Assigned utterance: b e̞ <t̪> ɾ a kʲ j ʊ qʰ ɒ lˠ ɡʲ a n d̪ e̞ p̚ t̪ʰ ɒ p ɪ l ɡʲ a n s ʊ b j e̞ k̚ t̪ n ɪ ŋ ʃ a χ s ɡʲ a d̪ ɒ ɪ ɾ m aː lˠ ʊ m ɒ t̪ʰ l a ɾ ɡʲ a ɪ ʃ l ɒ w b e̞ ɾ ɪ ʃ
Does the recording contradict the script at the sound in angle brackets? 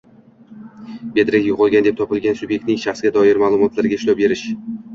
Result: yes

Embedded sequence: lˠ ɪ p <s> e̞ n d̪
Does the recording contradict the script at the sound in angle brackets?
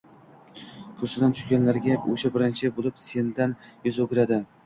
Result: no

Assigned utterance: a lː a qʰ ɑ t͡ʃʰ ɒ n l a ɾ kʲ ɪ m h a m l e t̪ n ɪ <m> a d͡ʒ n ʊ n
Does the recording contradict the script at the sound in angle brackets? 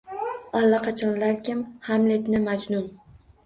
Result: no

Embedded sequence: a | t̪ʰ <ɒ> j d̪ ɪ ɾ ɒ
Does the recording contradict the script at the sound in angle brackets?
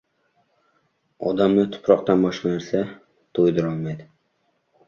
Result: yes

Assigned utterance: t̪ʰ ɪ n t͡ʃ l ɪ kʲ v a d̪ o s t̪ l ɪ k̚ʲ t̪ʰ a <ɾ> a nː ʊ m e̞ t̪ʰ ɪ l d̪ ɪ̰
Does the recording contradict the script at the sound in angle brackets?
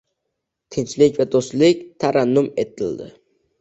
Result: no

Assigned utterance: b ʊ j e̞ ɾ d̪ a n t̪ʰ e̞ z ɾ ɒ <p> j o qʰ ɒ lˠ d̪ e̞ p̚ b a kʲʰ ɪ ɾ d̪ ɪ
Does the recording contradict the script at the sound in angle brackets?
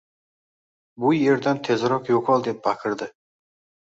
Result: yes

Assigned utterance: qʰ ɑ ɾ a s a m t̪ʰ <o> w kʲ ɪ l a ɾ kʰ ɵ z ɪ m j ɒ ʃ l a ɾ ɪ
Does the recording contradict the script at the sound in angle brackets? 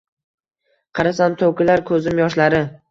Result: no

